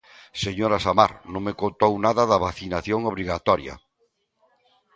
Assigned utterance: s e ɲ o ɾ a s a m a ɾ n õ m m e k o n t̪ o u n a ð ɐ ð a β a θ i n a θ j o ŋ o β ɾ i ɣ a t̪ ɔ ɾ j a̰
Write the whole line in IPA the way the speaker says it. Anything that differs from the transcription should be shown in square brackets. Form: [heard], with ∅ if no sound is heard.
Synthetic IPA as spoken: s e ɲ o ɾ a s a m a ɾ n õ [ŋ] m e k o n t̪ o [w] n a ð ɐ ð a β a θ i n a θ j o ŋ o β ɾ i ɣ a t̪ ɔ ɾ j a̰